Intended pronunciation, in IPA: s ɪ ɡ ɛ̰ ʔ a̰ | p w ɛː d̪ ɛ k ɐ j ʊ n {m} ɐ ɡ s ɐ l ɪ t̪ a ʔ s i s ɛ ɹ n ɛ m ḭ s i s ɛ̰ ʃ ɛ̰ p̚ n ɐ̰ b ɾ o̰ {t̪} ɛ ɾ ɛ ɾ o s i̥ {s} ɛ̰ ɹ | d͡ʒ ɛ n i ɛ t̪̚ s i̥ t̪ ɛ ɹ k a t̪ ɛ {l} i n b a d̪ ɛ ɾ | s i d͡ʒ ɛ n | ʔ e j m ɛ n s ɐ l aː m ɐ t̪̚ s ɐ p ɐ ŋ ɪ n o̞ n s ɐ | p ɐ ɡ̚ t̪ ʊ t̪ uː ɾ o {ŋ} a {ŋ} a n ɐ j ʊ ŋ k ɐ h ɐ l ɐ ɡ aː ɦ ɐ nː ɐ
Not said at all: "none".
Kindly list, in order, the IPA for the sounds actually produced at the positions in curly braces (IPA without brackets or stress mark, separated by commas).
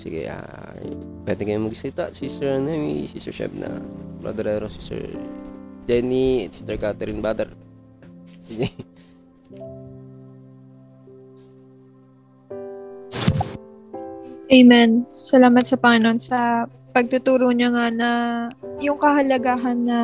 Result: m, d̪, s, ɾ, ɲ, ŋ